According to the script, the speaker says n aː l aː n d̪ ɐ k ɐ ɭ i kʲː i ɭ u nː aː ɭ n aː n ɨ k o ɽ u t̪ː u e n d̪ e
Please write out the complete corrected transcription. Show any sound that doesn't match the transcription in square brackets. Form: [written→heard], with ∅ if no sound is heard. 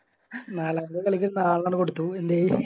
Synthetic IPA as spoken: n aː l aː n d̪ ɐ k ɐ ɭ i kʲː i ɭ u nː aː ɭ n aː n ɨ k o ɽ u t̪ː u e n d̪ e